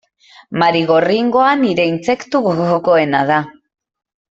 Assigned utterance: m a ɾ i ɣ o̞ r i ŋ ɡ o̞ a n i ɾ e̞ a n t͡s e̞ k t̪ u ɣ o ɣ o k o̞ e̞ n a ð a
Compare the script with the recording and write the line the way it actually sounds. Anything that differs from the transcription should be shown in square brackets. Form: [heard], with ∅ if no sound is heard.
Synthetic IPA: m a ɾ i ɣ o̞ r i ŋ ɡ o̞ a n i ɾ e̞ [i] n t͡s e̞ k t̪ u ɣ o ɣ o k o̞ e̞ n a ð a